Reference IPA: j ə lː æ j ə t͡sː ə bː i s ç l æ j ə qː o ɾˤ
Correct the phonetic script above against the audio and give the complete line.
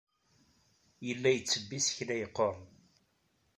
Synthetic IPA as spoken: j ə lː æ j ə t͡sː ə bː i s ç l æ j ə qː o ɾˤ